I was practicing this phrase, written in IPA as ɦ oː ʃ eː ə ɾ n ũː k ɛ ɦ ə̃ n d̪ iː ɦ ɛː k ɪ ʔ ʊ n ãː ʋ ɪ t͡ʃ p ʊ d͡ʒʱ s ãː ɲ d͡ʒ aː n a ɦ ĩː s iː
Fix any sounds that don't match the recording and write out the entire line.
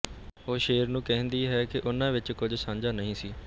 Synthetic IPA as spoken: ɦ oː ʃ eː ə ɾ n ũː k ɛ ɦ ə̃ n d̪ iː ɦ ɛː k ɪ ʔ ʊ n ãː ʋ ɪ t͡ʃ k ʊ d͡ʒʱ s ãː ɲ d͡ʒ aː n ə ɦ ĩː s iː

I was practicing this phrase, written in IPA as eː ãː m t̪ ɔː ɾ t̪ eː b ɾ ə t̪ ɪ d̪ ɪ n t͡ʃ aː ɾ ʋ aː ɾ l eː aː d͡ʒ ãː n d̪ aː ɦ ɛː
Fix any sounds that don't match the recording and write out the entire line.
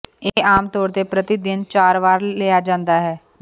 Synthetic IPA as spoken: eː aː m t̪ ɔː ɾ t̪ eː p ɾ ə t̪ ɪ d̪ ɪ n t͡ʃ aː ɾ ʋ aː ɾ l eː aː d͡ʒ ãː n d̪ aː ɦ ɛː

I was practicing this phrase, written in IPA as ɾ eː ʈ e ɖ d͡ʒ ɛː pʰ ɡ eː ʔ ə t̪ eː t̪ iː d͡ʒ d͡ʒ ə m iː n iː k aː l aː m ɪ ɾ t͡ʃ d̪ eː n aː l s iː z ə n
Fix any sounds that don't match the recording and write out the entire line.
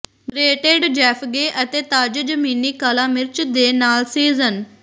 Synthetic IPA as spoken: ɾ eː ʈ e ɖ d͡ʒ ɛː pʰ ɡ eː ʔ ə t̪ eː t̪ aː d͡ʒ d͡ʒ ə m iː n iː k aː l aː m ɪ ɾ t͡ʃ d̪ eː n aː l s iː z ə n

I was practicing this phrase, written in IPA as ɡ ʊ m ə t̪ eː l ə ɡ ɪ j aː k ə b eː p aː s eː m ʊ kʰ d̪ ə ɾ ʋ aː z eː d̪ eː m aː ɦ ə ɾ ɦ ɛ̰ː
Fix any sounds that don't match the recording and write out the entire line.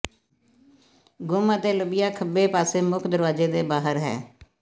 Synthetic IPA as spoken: ɡ ʊ m ə t̪ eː l ə b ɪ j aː kʰ ə b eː p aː s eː m ʊ kʰ d̪ ə ɾ ʋ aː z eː d̪ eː b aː ɦ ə ɾ ɦ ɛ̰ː

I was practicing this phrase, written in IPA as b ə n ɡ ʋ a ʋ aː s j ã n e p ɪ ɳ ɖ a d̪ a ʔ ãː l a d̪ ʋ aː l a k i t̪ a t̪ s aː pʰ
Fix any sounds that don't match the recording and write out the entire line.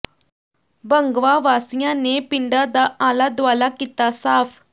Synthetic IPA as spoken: b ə ŋ ɡ ʋ a ʋ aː s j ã n e p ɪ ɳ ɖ a d̪ a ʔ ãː l a d̪ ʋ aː l a k i t̪ a s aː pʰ

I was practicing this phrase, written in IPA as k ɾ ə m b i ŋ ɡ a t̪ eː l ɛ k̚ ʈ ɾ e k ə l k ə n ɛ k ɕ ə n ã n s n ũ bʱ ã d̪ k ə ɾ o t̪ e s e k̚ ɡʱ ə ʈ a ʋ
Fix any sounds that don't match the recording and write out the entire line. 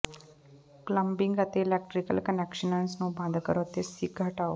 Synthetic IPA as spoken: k l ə m b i ŋ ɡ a t̪ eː l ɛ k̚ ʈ ɾ i k ə l k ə n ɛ k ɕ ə n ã n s n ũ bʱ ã d̪ k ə ɾ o t̪ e s i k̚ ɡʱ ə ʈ a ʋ

